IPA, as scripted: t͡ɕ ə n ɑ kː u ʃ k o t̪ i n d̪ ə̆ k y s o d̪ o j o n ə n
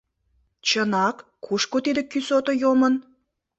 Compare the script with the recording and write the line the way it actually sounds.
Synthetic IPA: t͡ɕ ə n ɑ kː u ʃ k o t̪ i d̪ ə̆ k y s o t̪ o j o m ə n